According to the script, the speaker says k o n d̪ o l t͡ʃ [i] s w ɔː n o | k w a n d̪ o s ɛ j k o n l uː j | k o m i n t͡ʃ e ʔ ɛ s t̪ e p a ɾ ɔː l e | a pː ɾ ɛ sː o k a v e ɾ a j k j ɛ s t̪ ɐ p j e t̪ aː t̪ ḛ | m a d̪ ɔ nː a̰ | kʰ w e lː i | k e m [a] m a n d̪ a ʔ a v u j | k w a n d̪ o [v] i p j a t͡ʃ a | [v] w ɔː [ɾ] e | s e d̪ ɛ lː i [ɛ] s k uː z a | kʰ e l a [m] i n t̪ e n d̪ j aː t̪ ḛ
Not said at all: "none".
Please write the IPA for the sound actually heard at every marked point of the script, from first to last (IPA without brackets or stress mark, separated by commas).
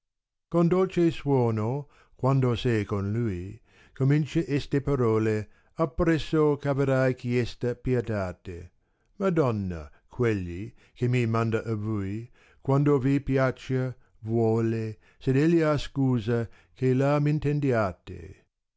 e, i, v, v, l, a, m